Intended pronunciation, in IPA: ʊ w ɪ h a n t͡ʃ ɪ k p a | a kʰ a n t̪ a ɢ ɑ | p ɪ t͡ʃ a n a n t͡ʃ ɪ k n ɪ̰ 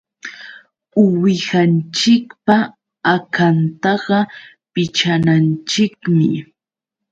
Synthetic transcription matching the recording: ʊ w ɪ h a n t͡ʃ ɪ k p a | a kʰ a n t̪ ɑ ɢ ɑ | p ɪ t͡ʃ a n a n t͡ʃ ɪ k m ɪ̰